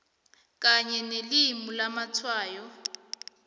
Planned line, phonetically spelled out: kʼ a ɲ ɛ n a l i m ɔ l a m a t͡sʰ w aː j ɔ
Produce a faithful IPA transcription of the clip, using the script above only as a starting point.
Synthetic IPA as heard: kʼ a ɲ ɛ n e l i m u l a m a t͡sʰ w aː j ɔ